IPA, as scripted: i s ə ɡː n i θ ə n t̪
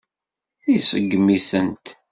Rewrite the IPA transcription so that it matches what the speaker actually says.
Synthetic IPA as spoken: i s ə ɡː m i θ ə n t̪

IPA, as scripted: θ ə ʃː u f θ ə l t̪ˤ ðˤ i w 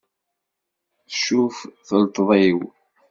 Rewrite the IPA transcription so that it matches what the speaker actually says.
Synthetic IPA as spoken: θ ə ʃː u f θ ə l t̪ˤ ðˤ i w

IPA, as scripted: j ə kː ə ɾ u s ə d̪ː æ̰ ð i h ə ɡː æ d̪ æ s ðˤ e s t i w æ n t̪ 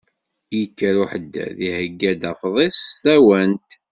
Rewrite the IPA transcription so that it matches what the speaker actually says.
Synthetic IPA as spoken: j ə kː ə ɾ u ħ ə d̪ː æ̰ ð i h ə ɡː æ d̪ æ f ðˤ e s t æ w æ n t̪

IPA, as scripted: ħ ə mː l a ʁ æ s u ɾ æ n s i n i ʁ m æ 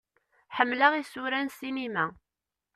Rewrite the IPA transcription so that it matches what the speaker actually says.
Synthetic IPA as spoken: ħ ə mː l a ʁ i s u ɾ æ n s i n i m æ

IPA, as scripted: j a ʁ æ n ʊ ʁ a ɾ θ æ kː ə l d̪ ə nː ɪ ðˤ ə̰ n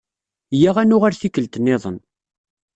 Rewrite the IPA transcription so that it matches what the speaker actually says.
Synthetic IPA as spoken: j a ʁ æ n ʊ ʁ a ɾ θ i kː ə l t̪ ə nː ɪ ðˤ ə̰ n

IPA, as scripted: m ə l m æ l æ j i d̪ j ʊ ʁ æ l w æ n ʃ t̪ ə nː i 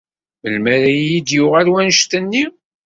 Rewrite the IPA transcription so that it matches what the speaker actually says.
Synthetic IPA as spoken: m ə l m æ ɾ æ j i d̪ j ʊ ʁ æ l w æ n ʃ t̪ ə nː i

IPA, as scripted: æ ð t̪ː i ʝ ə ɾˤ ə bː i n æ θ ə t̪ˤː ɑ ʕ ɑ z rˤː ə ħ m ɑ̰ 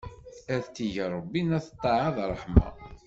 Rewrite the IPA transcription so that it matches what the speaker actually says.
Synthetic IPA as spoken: æ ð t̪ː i ʝ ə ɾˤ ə bː i n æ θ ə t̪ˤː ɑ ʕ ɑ ð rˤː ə ħ m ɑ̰

